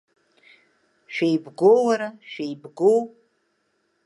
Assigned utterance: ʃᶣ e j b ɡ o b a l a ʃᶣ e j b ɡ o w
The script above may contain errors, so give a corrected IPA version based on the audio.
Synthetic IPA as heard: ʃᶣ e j b ɡ o w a ɾ a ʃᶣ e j b ɡ o w